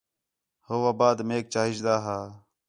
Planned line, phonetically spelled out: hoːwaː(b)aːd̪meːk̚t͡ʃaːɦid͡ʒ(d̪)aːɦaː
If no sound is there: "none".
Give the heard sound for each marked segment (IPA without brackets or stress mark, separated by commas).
b, d̪